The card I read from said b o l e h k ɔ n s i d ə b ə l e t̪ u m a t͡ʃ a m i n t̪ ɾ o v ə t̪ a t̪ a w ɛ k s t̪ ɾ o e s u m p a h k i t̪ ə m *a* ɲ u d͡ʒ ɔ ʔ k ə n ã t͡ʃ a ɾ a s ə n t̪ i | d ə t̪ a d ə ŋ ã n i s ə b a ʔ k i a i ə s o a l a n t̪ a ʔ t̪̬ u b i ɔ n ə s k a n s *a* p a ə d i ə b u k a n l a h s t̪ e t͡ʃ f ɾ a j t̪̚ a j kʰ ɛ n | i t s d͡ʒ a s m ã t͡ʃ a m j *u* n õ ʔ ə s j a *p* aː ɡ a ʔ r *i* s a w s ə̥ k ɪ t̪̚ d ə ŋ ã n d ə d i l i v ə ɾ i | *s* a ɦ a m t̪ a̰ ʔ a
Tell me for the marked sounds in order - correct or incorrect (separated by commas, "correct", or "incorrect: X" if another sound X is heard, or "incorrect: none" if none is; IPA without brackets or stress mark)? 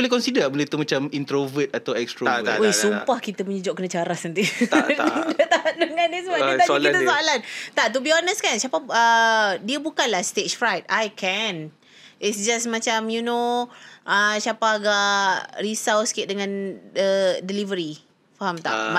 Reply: incorrect: ə, correct, correct, correct, correct, incorrect: f